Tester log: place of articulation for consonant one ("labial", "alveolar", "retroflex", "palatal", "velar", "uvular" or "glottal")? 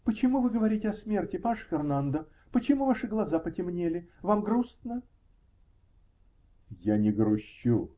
labial